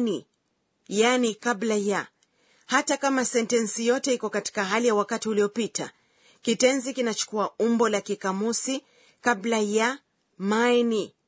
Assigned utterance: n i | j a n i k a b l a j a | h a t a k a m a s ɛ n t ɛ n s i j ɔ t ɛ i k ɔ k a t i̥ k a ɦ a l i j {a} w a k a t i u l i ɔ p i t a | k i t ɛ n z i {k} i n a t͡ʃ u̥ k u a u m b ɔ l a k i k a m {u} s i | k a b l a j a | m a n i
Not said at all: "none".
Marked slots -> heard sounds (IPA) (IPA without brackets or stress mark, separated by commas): a, k, u